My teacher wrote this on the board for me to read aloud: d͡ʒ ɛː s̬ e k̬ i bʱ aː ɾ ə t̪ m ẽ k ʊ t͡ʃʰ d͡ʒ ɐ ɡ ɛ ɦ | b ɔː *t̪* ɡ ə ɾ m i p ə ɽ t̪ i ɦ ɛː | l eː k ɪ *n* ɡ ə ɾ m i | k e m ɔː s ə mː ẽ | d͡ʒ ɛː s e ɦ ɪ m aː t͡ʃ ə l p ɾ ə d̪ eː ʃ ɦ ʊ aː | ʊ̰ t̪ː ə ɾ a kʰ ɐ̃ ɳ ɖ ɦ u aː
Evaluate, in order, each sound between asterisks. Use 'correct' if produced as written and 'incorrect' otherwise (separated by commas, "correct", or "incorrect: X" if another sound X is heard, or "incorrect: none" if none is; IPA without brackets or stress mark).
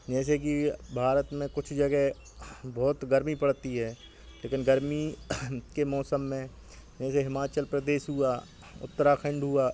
correct, correct